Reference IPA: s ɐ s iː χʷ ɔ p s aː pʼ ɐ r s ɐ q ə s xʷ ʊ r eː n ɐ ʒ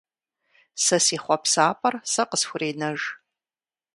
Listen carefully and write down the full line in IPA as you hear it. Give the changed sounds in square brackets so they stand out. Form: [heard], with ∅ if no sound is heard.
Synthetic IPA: s ɐ s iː χʷ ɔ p s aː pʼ ɐ r s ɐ q ə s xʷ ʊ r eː n ɐ ʒ